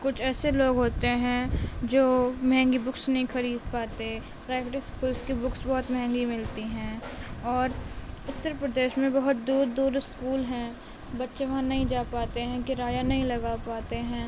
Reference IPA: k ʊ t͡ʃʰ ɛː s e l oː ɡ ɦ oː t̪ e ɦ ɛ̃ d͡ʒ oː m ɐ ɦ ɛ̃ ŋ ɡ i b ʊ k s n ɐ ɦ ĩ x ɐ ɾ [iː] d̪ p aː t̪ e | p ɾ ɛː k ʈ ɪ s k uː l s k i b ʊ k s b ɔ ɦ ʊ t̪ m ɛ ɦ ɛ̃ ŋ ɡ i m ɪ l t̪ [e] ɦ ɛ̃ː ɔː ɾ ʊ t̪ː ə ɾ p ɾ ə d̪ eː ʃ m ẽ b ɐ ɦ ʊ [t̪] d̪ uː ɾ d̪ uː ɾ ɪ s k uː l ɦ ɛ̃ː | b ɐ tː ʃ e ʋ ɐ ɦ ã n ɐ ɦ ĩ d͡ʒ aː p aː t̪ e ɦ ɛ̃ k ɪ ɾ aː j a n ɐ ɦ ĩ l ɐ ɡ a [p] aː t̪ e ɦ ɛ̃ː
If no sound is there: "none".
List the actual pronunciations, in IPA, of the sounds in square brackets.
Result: iː, i, t̪, p

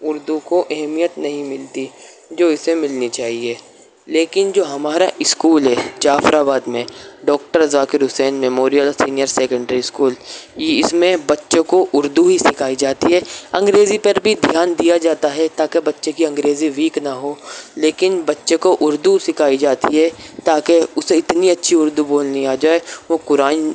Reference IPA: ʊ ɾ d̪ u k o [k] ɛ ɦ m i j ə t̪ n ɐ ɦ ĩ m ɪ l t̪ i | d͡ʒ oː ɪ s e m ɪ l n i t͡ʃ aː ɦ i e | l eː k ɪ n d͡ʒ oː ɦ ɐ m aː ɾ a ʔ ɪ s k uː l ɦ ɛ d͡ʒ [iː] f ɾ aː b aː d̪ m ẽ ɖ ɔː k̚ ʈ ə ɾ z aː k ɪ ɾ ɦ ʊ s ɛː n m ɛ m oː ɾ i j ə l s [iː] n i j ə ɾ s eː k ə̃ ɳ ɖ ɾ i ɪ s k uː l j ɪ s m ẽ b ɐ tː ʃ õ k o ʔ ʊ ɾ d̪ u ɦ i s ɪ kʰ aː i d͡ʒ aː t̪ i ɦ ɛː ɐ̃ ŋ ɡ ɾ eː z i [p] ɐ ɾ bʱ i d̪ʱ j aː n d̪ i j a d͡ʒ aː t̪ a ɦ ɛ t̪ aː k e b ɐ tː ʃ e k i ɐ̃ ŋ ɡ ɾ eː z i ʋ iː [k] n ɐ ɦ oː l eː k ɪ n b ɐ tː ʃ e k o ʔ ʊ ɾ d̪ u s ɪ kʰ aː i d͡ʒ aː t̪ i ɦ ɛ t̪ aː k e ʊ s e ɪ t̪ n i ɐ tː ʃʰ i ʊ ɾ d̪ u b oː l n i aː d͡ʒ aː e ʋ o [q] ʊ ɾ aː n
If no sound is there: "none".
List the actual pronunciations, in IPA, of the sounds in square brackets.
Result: ʔ, aː, iː, p, k, k

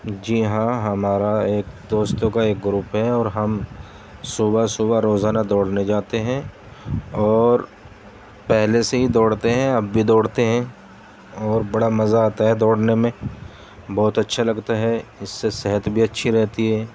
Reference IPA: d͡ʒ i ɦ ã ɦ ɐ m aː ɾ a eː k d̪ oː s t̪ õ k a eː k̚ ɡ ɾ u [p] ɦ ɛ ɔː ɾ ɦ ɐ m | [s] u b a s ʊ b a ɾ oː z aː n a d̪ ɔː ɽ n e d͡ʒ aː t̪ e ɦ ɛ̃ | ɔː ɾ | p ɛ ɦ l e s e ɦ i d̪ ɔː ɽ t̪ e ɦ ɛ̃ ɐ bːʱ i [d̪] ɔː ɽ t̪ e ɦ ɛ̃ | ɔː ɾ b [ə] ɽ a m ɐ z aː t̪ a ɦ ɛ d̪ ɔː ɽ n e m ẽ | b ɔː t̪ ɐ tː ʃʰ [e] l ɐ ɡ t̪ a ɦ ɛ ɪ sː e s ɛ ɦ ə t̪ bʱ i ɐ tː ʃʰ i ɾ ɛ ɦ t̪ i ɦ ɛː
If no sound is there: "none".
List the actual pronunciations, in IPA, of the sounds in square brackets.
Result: p, s, d̪, ɐ, a

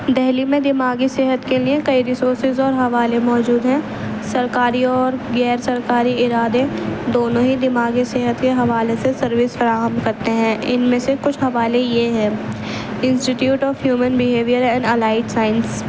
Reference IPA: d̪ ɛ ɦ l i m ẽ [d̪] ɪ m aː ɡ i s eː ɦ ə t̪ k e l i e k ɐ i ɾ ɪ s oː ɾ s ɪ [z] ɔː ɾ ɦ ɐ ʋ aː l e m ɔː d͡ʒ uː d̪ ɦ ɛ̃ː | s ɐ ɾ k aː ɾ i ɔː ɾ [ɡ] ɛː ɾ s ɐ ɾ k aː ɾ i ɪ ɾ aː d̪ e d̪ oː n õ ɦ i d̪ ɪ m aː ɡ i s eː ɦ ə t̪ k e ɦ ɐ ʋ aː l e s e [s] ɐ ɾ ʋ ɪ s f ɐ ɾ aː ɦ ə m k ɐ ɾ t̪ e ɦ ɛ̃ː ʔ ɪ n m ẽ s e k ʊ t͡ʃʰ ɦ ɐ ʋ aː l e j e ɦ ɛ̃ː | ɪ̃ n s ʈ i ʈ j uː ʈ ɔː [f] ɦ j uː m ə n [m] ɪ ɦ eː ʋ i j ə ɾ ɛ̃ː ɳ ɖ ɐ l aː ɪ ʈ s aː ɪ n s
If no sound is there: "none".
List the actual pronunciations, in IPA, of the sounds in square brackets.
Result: d̪, z, ɡ, s, f, b

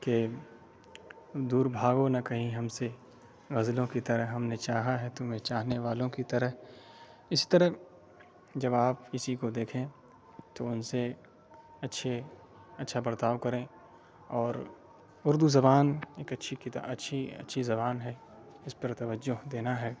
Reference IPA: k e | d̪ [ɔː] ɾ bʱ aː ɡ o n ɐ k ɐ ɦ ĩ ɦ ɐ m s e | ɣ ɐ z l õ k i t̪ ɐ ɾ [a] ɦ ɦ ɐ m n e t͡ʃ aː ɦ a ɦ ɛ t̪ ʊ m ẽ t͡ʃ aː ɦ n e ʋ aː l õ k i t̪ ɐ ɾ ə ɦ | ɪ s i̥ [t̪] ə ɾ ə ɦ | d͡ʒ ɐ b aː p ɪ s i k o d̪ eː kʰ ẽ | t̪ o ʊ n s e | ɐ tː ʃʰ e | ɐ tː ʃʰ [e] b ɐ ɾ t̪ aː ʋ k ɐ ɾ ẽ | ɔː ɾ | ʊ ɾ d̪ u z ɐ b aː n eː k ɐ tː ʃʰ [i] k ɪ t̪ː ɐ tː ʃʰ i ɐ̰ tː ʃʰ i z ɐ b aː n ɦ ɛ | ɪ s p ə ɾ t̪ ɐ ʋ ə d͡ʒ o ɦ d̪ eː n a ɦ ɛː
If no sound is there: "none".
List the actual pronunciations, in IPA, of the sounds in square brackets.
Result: uː, ə, t̪, a, i

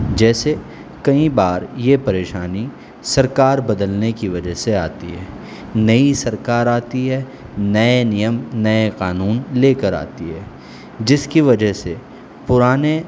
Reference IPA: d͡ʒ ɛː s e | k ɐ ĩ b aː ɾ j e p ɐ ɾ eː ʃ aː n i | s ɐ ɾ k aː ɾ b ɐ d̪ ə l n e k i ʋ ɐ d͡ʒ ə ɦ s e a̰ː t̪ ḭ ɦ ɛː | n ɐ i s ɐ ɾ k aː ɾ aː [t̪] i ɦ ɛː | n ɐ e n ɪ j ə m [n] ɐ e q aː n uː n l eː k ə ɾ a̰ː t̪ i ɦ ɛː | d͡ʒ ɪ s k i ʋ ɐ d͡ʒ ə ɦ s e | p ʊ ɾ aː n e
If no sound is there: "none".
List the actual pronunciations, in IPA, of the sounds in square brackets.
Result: t̪, n

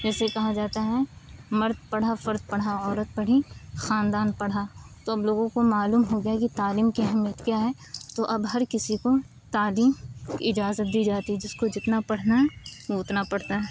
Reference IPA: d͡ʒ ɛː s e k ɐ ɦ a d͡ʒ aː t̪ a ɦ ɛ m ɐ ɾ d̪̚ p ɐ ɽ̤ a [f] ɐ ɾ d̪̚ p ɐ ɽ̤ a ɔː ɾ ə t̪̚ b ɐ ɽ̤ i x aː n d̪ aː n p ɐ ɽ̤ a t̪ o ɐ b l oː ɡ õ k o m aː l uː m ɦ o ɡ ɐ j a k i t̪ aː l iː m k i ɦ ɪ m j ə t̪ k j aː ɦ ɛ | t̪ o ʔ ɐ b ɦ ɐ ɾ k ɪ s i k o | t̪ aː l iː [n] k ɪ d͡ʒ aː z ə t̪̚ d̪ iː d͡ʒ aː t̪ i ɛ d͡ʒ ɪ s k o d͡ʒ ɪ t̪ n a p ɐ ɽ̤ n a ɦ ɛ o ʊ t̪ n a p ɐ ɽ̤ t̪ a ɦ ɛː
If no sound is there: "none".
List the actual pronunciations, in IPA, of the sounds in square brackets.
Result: f, m

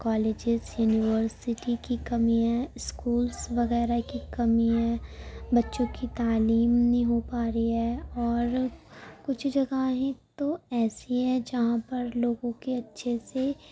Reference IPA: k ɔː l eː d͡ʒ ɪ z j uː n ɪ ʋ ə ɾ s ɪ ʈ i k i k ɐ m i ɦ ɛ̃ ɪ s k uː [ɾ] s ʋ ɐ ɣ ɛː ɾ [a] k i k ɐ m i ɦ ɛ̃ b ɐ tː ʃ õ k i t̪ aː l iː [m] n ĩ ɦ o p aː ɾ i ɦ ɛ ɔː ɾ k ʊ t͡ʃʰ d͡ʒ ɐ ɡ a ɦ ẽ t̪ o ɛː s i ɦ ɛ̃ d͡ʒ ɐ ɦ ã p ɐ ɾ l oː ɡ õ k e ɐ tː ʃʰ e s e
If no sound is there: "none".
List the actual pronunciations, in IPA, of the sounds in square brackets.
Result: l, a, m

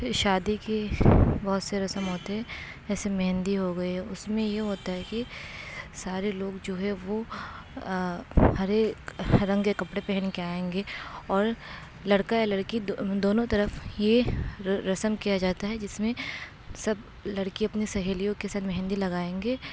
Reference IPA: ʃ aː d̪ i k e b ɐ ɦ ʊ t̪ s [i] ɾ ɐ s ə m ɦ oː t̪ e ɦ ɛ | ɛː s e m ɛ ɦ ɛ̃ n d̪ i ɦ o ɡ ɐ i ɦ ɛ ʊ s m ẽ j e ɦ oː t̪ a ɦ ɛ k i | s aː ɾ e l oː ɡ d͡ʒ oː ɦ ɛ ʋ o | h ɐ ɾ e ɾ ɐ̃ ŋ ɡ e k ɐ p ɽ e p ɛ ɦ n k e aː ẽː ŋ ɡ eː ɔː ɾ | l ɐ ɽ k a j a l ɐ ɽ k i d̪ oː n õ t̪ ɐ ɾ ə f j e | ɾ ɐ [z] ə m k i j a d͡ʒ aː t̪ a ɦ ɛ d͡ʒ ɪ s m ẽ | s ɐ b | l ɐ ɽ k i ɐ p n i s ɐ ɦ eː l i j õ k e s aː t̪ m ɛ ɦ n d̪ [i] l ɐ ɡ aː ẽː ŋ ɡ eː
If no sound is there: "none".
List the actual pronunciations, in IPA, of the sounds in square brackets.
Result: e, s, i

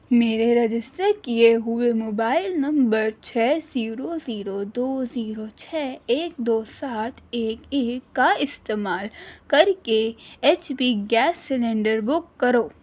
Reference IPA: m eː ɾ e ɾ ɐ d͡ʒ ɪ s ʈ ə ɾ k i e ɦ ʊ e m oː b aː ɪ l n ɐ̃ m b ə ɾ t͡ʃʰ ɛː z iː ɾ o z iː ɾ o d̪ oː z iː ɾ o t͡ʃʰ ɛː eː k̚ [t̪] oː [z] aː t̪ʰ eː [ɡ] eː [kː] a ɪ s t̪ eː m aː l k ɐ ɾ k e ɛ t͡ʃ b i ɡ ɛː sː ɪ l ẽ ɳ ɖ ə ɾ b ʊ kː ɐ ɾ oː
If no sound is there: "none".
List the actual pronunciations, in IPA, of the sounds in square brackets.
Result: d̪, s, k, kː

